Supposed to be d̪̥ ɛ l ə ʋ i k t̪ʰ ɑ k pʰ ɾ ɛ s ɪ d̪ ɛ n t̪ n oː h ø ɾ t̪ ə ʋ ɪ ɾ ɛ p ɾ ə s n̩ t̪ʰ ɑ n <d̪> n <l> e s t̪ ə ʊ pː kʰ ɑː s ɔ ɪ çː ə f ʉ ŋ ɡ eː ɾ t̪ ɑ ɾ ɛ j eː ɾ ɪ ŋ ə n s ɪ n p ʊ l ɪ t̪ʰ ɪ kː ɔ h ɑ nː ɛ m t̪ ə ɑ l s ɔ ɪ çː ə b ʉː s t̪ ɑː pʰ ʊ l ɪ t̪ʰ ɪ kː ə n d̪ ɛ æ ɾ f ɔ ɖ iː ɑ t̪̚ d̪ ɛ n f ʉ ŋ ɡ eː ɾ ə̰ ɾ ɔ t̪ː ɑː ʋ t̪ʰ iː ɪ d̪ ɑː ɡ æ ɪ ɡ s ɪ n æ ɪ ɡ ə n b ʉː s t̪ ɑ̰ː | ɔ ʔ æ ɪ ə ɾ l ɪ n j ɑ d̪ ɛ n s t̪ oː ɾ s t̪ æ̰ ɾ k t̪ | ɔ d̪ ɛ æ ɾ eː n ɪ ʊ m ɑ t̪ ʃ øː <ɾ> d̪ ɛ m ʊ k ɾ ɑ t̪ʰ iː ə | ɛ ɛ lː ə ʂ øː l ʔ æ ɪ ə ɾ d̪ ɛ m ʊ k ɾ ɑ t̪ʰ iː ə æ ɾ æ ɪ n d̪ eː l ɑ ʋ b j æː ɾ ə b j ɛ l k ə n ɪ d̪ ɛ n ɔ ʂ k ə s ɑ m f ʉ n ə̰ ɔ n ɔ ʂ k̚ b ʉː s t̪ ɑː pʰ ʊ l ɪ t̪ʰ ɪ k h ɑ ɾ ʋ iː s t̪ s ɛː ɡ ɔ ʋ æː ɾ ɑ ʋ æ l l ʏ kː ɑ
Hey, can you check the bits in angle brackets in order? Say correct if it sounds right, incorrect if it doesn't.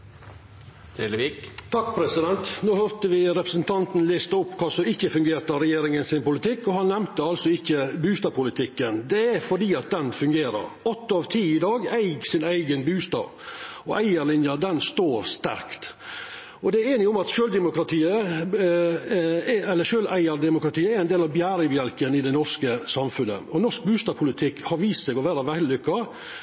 incorrect: t̪, correct, incorrect: l

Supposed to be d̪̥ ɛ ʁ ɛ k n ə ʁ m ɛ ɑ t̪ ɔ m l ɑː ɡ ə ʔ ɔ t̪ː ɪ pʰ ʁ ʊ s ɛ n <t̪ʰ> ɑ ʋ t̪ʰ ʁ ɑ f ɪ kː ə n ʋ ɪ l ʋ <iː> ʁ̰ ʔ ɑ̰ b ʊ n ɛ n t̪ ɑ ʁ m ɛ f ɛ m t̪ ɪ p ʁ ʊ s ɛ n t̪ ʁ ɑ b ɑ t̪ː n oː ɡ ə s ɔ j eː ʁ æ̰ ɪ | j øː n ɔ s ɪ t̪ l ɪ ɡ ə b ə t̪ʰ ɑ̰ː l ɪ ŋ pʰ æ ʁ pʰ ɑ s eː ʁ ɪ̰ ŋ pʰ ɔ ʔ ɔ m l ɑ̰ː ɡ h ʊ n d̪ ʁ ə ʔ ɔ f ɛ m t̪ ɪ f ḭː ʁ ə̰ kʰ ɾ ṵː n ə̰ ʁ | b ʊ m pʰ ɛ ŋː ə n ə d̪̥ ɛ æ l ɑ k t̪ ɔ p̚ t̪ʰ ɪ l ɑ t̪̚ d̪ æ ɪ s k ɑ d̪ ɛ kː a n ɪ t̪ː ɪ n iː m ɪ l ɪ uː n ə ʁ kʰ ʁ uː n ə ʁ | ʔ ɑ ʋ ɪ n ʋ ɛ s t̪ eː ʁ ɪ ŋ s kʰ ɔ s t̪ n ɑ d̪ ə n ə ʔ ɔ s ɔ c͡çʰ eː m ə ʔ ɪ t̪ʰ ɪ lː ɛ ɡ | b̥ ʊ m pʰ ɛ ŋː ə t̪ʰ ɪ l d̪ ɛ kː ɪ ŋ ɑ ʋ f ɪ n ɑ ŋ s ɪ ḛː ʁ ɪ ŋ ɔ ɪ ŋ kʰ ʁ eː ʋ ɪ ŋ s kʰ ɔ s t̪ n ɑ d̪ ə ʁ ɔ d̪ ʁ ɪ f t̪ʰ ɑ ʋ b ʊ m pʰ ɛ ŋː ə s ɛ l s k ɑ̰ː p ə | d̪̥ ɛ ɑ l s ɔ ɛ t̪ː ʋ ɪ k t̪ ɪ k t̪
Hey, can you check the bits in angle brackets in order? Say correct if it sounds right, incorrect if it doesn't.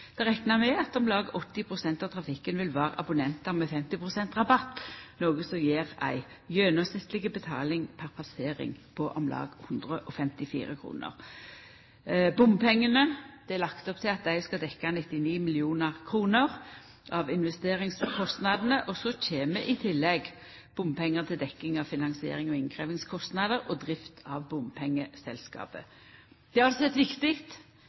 incorrect: t̪, incorrect: æː

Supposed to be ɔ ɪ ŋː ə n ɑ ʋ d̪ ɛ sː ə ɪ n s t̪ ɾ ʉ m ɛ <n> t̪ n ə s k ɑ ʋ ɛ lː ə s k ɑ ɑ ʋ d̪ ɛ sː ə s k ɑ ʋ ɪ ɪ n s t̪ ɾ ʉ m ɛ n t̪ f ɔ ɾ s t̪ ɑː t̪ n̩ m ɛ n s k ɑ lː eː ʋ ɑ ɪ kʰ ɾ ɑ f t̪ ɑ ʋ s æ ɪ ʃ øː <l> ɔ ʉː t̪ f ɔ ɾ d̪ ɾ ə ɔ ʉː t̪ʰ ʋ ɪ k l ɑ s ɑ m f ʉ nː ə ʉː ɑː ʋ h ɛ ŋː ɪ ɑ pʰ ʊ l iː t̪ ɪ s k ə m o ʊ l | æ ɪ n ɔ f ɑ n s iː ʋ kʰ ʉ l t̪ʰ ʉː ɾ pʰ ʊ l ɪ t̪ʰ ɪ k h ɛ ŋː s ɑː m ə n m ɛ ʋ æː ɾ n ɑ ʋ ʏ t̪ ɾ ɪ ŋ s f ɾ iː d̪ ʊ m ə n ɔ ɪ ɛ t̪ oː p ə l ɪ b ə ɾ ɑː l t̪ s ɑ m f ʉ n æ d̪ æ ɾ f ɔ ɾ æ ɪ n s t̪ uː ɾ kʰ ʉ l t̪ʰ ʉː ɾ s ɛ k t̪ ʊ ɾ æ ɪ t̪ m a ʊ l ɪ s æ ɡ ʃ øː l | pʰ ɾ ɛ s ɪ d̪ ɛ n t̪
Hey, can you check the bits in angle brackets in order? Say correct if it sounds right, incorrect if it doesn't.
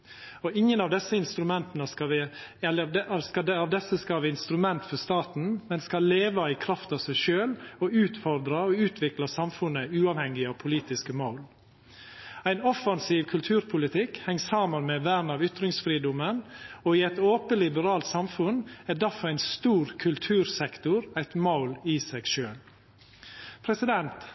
correct, correct

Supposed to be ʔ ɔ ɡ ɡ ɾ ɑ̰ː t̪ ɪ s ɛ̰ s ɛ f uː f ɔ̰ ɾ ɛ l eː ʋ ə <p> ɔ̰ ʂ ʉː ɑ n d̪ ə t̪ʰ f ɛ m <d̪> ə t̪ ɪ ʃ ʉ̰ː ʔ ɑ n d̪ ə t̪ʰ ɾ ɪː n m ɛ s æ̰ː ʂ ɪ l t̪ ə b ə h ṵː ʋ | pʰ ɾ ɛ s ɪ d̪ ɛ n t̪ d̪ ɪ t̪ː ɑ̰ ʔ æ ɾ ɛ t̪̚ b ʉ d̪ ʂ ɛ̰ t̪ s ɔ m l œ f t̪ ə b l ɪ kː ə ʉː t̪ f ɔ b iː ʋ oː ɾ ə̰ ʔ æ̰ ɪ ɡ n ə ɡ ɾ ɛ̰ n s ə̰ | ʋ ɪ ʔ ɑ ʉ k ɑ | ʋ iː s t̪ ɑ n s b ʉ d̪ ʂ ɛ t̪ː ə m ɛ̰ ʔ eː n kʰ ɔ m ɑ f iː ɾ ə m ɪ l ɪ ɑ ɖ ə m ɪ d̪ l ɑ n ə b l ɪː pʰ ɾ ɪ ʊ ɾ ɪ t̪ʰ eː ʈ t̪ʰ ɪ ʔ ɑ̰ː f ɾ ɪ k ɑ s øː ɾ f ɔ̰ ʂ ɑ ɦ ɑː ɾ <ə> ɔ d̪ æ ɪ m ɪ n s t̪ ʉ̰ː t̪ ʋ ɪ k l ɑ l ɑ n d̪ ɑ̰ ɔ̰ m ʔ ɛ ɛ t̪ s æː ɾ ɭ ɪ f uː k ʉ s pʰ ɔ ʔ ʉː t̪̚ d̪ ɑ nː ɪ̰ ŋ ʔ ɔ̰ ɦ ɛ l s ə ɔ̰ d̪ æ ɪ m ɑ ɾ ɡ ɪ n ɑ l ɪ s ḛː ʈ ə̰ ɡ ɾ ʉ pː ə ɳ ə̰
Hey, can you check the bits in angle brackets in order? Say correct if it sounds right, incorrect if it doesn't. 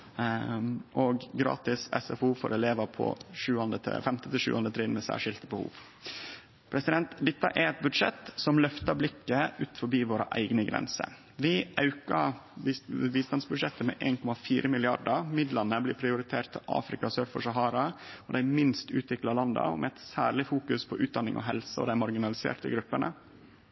incorrect: pʰ, incorrect: t̪, incorrect: ɑ

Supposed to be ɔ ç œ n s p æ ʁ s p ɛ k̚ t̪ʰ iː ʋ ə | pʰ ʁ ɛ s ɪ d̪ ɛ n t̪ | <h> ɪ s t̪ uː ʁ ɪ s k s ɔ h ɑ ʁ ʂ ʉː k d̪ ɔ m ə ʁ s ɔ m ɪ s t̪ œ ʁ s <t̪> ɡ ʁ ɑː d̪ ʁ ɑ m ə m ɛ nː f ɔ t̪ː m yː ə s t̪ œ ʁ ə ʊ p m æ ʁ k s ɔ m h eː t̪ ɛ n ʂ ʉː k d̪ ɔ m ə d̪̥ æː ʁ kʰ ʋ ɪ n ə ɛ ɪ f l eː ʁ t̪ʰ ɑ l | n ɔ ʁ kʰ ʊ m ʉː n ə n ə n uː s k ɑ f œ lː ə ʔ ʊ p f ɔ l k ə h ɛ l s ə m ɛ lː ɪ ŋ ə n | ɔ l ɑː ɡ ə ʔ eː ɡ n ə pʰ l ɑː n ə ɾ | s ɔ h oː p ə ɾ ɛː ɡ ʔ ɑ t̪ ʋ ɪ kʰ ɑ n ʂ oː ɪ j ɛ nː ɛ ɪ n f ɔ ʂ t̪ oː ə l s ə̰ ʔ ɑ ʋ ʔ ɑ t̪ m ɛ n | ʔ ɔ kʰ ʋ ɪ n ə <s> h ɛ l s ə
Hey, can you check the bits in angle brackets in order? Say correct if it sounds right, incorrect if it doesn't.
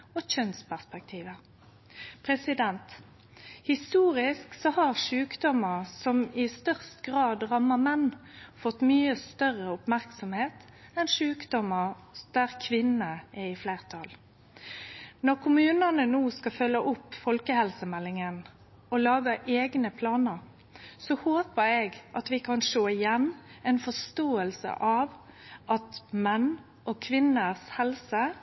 correct, correct, correct

